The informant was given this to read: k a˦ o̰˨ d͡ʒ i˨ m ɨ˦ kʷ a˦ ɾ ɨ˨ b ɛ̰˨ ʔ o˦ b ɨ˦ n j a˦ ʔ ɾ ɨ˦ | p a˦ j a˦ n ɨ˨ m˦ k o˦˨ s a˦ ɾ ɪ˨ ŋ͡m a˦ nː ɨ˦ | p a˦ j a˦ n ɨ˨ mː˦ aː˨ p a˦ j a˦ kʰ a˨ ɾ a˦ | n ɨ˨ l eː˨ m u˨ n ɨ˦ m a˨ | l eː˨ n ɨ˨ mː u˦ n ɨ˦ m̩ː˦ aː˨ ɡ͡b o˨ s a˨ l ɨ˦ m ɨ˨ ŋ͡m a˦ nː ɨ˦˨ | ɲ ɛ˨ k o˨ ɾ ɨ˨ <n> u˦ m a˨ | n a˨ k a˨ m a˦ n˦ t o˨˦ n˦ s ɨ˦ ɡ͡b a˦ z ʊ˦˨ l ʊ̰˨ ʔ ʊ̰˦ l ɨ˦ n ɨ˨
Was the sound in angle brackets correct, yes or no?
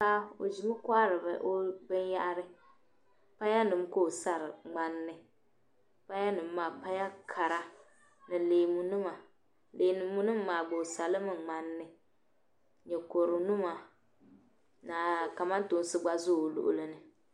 yes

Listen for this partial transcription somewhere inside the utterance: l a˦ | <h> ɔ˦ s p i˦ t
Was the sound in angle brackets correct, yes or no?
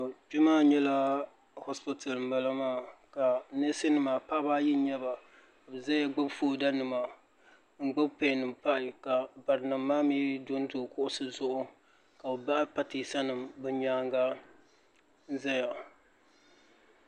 yes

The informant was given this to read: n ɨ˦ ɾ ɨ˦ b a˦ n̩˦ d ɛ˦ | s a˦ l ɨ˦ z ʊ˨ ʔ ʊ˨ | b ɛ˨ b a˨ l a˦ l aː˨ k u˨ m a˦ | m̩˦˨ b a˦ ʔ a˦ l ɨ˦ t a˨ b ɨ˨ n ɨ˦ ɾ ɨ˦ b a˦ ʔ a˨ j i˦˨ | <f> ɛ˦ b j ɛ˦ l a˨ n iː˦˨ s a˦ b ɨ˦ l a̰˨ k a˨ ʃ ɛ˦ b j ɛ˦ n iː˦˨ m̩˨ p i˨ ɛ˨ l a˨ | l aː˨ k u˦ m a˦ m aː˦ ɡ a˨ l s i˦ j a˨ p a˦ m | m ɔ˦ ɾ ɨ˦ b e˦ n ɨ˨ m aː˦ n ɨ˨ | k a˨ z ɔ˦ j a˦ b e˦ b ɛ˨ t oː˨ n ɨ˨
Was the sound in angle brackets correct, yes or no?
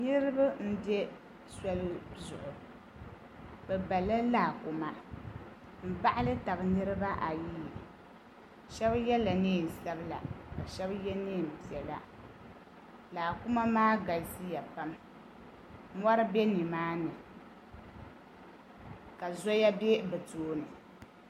no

